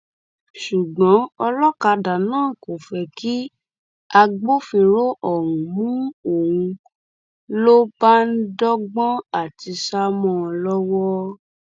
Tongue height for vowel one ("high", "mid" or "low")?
high